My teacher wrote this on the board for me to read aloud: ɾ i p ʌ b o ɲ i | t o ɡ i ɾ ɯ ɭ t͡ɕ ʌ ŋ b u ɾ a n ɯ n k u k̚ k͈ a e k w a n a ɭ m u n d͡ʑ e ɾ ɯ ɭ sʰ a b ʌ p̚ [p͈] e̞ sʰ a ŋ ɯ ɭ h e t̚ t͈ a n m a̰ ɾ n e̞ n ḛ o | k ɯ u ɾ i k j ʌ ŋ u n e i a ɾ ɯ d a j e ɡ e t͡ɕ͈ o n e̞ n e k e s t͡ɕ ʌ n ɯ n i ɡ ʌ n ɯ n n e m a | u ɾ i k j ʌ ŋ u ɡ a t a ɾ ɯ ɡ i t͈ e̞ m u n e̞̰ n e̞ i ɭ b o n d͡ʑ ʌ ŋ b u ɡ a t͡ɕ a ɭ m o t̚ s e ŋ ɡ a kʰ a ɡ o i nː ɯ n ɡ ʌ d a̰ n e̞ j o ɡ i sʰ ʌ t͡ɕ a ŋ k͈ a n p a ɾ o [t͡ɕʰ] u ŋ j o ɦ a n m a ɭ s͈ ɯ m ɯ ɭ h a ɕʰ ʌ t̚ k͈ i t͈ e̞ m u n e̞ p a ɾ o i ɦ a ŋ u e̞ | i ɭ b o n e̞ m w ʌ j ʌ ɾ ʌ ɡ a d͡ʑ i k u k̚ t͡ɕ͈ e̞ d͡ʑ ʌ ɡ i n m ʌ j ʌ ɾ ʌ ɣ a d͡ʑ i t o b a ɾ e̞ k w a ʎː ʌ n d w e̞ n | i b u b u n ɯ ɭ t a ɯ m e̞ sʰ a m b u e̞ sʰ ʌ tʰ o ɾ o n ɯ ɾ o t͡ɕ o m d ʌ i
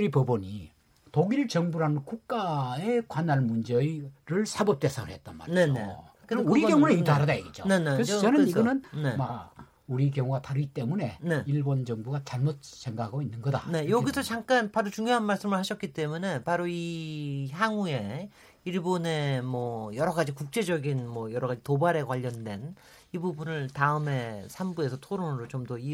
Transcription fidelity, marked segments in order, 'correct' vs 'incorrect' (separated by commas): incorrect, incorrect